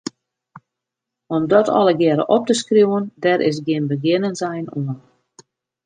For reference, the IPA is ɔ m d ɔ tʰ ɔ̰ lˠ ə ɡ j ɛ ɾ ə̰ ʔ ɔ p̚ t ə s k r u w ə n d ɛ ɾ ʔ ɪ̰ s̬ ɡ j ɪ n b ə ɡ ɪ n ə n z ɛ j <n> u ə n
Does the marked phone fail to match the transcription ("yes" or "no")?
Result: no